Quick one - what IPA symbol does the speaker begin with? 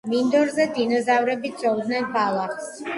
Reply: m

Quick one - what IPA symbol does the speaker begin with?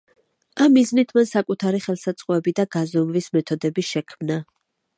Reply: a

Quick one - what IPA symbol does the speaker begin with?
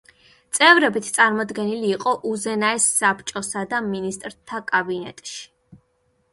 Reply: t̪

